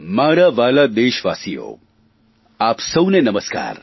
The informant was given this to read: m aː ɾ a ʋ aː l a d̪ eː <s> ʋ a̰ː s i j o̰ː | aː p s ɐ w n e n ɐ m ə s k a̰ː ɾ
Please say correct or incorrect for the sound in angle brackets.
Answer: incorrect